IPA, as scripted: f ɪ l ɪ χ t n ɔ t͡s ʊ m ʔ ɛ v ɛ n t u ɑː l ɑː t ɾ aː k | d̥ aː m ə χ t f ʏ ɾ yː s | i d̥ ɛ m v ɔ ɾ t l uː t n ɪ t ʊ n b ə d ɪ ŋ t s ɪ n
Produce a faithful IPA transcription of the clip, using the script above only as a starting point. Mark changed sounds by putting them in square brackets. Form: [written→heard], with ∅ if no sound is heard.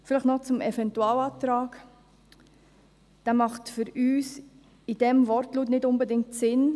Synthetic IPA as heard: f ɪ l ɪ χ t n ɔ t͡s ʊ m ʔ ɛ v ɛ n t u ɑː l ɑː t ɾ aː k | d̥ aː m [ə→ɑ] χ t f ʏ ɾ yː s | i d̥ ɛ m v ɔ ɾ t l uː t n ɪ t ʊ n b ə d ɪ ŋ t s ɪ n